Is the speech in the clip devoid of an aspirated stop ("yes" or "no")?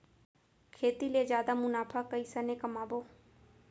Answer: no